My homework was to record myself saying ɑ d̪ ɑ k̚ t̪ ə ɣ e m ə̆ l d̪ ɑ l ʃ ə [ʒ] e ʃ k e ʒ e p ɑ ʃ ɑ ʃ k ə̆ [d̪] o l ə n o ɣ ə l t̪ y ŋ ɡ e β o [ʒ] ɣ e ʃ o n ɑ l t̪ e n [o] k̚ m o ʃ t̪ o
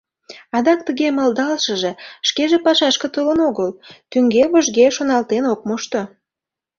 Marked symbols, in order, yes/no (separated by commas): yes, no, yes, yes